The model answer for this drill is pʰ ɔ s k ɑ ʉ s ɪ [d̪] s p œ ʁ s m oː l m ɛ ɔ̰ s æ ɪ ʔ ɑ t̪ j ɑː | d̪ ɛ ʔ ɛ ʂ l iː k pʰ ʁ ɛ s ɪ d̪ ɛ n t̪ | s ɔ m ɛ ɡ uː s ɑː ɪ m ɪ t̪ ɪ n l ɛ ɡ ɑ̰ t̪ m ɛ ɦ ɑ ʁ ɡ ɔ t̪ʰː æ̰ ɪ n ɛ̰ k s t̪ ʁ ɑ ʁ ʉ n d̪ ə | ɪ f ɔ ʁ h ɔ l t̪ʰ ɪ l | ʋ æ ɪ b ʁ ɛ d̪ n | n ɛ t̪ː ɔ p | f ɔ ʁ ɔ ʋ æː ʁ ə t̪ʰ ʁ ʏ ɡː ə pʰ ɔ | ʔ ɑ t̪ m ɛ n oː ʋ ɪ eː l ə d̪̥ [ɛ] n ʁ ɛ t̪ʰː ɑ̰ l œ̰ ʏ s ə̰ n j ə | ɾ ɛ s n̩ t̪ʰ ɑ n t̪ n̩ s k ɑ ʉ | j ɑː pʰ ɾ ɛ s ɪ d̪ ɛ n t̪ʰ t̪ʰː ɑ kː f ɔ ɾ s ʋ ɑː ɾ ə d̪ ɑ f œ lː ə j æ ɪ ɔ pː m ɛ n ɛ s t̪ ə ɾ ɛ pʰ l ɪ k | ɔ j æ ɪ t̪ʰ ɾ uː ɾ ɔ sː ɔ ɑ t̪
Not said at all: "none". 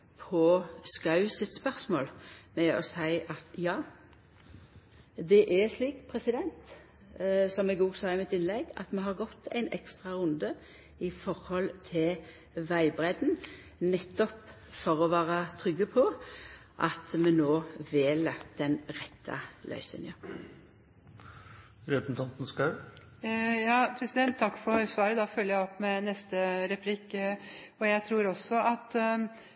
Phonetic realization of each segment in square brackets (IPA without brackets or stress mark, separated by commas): t̪, ɛ